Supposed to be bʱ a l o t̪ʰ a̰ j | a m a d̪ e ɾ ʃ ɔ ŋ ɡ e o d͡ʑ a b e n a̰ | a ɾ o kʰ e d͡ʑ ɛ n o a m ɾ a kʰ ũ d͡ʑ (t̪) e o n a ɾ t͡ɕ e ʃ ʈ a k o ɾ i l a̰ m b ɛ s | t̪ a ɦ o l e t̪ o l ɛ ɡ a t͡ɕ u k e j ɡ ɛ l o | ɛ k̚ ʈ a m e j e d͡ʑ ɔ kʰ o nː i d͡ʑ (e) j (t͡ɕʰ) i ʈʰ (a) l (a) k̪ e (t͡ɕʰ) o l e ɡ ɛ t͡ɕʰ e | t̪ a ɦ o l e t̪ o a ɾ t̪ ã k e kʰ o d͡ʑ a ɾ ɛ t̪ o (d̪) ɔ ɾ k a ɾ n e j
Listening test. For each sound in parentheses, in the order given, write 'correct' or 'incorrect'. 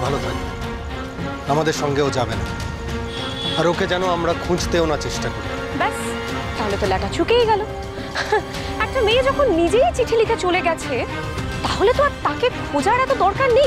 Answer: correct, correct, incorrect, incorrect, incorrect, incorrect, correct

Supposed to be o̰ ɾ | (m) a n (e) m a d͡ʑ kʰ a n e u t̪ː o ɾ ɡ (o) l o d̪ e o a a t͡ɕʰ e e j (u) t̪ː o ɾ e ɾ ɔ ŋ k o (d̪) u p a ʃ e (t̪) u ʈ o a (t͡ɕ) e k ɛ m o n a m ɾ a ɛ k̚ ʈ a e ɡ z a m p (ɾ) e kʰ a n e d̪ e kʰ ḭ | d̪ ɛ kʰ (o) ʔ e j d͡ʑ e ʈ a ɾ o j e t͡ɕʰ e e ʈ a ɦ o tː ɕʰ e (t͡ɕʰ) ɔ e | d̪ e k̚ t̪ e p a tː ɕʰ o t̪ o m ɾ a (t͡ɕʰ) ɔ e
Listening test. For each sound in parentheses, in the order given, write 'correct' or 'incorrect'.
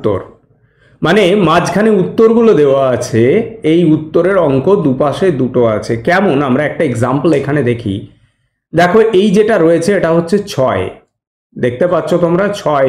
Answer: correct, correct, incorrect, correct, correct, incorrect, incorrect, incorrect, correct, correct, correct

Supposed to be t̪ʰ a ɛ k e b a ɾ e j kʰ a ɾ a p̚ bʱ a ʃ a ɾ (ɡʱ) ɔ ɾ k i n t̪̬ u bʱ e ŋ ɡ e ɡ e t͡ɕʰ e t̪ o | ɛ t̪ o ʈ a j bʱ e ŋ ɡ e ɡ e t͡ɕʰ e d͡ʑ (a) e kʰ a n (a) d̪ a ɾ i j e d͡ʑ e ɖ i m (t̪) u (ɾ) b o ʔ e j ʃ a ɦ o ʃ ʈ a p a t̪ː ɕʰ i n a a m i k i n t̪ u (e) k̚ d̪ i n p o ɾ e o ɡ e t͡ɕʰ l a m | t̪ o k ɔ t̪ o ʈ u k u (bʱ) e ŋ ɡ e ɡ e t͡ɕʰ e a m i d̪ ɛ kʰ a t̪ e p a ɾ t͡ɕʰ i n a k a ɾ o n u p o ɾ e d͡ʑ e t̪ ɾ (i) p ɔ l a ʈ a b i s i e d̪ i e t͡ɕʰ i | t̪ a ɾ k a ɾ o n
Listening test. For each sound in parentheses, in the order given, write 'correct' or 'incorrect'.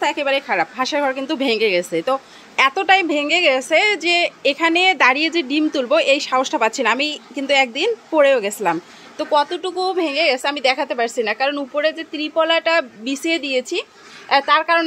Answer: correct, incorrect, incorrect, correct, incorrect, incorrect, correct, correct

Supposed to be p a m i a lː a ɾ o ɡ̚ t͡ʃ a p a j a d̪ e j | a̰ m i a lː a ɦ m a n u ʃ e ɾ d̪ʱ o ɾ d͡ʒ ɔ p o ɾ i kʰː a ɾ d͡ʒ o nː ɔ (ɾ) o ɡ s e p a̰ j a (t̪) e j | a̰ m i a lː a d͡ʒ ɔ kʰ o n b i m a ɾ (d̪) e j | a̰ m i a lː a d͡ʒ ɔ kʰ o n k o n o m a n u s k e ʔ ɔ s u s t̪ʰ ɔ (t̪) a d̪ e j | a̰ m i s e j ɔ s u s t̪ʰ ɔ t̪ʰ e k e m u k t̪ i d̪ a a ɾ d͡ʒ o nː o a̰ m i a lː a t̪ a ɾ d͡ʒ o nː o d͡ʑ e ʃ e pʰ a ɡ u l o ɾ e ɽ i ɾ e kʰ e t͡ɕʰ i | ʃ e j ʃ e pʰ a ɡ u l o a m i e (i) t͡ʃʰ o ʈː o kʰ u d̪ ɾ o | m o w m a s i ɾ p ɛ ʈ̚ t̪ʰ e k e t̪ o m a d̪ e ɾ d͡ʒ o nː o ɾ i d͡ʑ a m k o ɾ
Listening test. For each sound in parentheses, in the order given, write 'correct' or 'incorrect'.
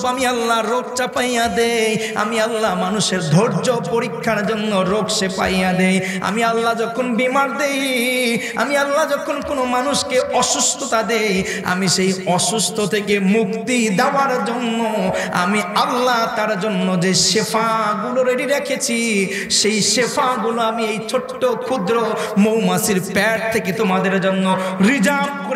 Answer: correct, incorrect, correct, correct, incorrect

